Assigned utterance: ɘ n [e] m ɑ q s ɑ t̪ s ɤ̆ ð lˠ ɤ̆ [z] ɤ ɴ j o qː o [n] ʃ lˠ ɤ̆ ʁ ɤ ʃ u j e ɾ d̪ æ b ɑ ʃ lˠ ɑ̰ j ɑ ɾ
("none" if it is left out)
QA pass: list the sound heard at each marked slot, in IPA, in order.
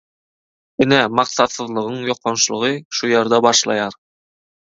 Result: æ, ʁ, n

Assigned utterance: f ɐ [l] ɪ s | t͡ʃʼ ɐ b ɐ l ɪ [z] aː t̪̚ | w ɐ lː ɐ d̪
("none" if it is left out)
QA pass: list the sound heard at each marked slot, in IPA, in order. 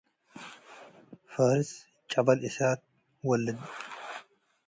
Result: ɾ, s

